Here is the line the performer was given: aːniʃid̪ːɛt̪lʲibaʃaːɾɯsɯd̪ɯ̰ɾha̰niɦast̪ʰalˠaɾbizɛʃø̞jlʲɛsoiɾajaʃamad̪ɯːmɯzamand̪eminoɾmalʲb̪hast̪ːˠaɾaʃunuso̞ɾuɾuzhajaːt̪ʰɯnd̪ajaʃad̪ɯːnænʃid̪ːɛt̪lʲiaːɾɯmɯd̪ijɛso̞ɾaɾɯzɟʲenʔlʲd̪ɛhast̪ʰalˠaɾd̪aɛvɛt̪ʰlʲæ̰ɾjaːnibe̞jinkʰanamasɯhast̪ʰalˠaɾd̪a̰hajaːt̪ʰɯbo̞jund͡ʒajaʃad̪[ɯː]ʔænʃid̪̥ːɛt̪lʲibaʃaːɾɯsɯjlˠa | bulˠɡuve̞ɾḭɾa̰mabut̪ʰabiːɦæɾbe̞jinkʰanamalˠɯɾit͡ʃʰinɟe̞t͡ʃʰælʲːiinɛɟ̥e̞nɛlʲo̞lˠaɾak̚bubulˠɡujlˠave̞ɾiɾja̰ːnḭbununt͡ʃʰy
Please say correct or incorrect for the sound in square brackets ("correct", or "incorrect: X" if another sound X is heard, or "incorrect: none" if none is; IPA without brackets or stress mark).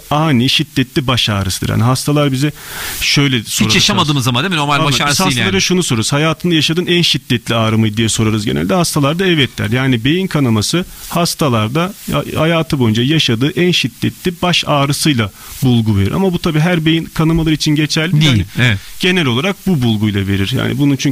correct